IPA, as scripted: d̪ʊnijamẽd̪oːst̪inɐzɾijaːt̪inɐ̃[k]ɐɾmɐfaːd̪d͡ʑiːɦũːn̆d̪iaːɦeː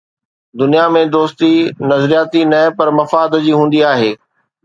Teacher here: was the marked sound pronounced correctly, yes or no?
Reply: no